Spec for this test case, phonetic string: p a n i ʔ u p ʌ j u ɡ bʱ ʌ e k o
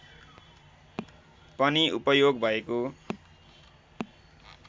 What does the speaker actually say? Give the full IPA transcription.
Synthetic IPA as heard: p ʌ n i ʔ u p ʌ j o ɡ bʱ ʌ e k o